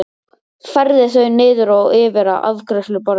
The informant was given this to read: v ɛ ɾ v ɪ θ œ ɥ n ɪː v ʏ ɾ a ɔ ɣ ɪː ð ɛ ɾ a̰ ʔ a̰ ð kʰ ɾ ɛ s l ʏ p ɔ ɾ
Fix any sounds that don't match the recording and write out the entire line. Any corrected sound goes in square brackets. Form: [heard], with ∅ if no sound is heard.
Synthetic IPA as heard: [f] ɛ ɾ [ð] ɪ θ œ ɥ n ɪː [ð] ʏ ɾ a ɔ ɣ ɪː [v] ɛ ɾ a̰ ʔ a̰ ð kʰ ɾ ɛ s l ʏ p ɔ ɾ